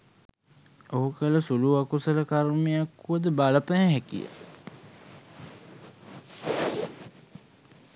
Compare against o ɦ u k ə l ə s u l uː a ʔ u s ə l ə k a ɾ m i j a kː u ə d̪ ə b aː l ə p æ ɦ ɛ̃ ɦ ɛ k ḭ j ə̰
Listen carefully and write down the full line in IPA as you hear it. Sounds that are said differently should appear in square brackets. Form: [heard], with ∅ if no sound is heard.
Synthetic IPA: o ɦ u k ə l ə s u l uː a [k] u s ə l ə k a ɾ m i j a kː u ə d̪ ə b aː l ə p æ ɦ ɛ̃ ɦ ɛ k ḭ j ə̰